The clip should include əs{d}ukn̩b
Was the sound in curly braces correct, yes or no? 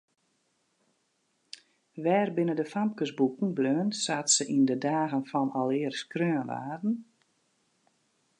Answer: no